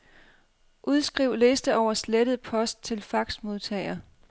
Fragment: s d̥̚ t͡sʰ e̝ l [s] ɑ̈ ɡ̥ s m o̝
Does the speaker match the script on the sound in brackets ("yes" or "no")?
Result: no